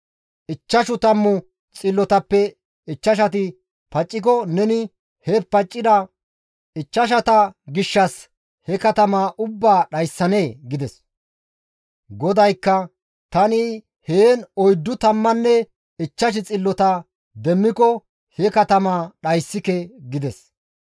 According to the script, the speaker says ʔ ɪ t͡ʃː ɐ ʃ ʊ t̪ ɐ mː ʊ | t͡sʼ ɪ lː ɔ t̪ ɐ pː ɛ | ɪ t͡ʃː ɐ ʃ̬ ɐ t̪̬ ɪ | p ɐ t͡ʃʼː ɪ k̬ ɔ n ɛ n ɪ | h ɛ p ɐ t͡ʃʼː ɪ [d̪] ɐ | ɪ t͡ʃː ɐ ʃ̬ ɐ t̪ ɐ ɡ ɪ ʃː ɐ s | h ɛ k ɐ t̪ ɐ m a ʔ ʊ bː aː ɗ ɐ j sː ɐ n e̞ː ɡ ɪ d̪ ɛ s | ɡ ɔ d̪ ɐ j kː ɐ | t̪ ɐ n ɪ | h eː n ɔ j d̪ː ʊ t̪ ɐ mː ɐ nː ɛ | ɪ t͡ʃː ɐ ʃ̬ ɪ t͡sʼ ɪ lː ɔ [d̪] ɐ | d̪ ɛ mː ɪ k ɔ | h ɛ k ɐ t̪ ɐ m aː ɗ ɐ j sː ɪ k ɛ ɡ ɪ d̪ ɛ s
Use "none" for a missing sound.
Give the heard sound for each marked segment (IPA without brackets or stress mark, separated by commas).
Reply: d̪, t̪